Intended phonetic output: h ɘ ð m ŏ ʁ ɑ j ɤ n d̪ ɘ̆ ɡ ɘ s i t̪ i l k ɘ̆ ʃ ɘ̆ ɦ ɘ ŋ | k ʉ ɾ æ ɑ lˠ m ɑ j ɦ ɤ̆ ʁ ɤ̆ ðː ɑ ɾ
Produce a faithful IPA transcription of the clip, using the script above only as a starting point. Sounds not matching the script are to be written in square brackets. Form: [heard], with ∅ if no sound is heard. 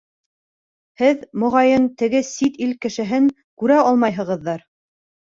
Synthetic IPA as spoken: h ɘ ð m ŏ ʁ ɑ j ɤ n [t̪] ɘ̆ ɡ ɘ s i t̪ i l k ɘ̆ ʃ ɘ̆ ɦ ɘ ŋ | k ʉ ɾ æ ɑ lˠ m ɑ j ɦ ɤ̆ ʁ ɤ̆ ðː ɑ ɾ